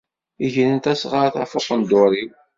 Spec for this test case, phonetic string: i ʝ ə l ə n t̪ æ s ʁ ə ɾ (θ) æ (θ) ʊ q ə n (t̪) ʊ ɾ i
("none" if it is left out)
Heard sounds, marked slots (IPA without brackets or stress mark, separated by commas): θ, f, d̪